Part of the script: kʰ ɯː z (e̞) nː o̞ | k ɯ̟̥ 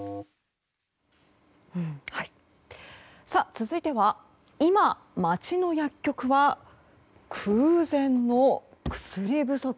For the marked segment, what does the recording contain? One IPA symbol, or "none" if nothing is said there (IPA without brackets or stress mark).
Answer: ẽ̞